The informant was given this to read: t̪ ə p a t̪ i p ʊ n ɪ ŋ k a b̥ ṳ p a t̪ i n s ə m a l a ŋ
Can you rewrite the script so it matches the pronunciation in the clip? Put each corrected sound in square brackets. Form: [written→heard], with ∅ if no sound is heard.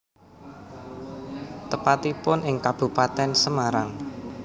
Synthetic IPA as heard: t̪ ə p a t̪ i p ʊ n ɪ ŋ k a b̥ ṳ p a t̪ [i→ɛ] n s ə m a [l→ɾ] a ŋ